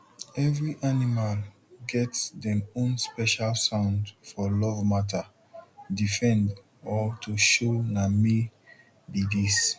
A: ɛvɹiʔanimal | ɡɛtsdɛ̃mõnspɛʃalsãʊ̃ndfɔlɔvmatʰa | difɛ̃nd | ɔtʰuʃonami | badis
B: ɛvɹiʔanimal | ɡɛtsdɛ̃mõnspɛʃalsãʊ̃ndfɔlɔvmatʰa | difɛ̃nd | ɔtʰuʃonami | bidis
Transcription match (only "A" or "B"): B